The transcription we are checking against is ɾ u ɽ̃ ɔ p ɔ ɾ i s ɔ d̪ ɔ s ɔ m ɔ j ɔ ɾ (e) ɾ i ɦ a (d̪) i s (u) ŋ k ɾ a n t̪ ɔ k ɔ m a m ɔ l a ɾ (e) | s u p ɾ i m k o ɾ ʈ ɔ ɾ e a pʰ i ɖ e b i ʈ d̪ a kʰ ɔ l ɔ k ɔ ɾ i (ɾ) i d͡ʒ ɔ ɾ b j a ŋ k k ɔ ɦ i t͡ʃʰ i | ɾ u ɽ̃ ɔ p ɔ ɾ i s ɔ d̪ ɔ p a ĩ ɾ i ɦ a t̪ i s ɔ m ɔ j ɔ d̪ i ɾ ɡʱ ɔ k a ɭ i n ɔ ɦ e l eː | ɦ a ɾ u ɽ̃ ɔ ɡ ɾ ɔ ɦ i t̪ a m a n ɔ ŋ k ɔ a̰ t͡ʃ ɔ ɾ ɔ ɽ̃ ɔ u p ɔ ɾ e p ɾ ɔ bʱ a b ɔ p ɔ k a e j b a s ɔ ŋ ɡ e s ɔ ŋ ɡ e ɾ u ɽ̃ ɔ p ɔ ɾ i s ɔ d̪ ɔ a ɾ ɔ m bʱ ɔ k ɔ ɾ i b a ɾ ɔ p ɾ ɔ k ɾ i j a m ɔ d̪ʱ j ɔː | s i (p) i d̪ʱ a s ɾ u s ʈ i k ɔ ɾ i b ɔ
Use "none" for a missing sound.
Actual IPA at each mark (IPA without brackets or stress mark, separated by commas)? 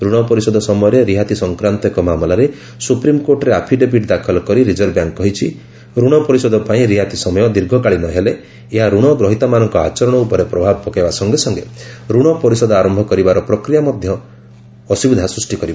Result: e, t̪, ɔ, e, ɾ, b